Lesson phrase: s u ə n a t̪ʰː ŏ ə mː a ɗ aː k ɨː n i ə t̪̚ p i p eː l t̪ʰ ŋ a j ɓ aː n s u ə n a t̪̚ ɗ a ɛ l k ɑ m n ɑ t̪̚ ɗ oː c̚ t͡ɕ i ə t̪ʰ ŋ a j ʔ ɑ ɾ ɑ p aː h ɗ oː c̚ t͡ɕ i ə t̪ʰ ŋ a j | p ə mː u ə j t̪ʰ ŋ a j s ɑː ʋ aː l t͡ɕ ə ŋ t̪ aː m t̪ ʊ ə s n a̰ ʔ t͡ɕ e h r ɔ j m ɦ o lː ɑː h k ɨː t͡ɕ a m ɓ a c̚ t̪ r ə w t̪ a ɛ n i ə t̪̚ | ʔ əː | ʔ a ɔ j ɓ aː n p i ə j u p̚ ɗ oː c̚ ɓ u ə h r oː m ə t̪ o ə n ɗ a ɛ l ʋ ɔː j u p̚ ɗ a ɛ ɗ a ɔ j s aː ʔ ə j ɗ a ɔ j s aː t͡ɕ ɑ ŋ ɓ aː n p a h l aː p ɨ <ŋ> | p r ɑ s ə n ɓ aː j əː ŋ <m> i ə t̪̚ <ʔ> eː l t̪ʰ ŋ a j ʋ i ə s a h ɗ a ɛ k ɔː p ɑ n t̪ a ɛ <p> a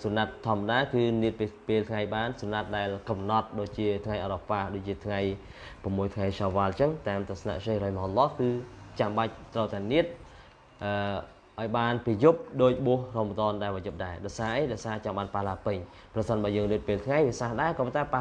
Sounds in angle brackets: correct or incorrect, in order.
incorrect: ɲ, incorrect: n, incorrect: p, correct

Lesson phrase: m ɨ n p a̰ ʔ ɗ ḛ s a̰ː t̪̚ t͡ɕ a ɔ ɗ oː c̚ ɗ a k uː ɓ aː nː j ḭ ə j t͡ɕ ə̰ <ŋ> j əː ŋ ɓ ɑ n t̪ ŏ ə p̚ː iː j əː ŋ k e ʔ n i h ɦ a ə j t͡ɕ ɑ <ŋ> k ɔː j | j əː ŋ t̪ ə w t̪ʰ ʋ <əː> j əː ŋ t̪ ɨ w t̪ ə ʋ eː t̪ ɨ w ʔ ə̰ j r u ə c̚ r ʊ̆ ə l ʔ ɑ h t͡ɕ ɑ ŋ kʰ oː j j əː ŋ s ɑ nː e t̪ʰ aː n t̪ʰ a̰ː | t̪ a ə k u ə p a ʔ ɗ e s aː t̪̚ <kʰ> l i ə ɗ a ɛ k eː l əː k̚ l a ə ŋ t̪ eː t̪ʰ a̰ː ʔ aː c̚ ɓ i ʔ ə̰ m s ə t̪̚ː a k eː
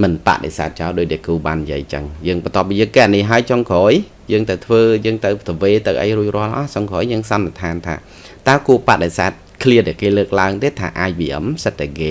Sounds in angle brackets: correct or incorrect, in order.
correct, correct, correct, correct

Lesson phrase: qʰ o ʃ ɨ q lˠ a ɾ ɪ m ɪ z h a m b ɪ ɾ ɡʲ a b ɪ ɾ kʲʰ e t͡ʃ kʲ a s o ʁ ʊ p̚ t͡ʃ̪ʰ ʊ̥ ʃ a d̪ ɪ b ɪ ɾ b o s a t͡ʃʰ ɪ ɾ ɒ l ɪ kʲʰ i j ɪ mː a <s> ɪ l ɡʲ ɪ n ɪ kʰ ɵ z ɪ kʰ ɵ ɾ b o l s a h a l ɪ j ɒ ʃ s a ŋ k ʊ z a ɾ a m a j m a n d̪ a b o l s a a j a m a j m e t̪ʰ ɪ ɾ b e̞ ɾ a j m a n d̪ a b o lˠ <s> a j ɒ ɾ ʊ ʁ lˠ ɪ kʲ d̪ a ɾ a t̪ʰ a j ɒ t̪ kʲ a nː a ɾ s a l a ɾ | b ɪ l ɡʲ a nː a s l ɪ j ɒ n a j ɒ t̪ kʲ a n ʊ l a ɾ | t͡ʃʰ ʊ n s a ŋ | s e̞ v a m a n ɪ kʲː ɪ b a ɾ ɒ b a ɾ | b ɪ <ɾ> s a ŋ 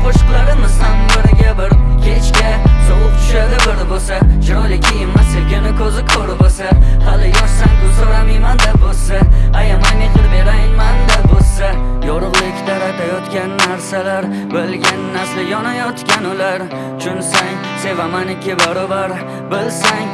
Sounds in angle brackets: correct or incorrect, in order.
correct, correct, incorrect: l

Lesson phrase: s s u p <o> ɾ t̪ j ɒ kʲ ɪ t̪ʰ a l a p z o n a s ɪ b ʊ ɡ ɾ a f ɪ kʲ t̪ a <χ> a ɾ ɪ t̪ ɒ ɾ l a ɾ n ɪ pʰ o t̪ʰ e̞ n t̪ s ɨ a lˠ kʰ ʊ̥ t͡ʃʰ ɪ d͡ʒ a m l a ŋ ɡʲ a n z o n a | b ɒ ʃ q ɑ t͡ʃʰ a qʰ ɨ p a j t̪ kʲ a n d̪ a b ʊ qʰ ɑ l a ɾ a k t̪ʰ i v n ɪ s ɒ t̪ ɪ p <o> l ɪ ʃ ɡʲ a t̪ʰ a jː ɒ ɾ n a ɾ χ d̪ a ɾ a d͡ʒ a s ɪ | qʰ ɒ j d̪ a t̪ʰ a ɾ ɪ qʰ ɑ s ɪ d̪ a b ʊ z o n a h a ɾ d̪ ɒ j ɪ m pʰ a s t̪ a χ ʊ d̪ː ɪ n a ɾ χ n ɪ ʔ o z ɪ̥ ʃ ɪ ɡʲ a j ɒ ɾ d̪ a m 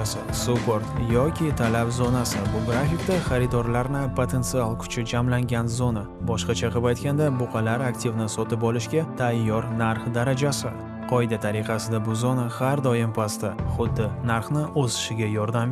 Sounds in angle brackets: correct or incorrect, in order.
correct, correct, incorrect: ɒ

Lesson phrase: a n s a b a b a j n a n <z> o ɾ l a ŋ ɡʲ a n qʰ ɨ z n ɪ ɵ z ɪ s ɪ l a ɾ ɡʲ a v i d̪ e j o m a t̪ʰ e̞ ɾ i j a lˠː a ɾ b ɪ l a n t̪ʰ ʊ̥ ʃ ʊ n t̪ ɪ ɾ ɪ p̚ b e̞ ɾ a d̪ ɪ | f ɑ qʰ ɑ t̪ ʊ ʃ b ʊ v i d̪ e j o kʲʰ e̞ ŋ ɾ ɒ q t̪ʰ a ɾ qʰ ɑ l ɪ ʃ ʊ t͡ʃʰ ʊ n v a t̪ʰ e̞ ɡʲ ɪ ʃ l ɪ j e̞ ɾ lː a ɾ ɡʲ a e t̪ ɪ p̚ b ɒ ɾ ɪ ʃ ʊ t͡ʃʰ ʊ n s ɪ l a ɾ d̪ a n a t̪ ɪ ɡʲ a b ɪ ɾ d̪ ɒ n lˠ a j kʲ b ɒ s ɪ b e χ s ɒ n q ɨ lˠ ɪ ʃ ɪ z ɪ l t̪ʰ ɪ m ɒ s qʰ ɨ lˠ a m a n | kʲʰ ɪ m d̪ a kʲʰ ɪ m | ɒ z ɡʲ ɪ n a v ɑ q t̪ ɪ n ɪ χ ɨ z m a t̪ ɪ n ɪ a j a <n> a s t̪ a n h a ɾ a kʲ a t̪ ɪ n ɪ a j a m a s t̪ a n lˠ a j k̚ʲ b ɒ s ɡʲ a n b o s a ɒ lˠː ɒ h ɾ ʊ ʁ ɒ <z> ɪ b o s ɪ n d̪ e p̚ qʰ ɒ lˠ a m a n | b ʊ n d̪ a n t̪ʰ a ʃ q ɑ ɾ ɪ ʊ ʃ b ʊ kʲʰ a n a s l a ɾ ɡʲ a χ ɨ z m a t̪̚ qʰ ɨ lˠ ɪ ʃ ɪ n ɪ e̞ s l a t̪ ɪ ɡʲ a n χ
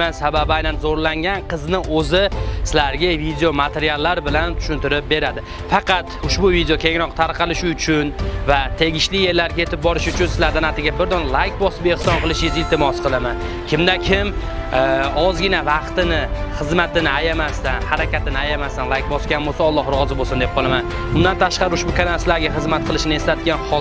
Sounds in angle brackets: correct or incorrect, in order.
correct, incorrect: m, correct

